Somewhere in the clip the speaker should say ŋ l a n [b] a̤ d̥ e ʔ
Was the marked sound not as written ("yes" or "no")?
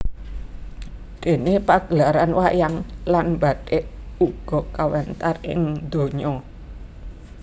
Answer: no